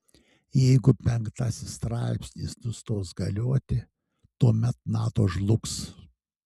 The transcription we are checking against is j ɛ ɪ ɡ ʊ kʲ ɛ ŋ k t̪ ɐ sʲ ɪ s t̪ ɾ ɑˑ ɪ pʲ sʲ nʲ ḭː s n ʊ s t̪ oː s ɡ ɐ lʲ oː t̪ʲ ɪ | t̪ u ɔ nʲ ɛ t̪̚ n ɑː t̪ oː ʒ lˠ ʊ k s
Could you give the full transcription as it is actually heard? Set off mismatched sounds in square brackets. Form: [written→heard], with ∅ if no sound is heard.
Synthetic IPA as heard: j ɛ ɪ ɡ ʊ [kʲ→pʲ] ɛ ŋ k t̪ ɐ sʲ ɪ s t̪ ɾ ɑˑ ɪ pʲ sʲ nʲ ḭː s n ʊ s t̪ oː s ɡ ɐ lʲ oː t̪ʲ ɪ | t̪ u ɔ [nʲ→mʲ] ɛ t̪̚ n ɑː t̪ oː ʒ lˠ ʊ k s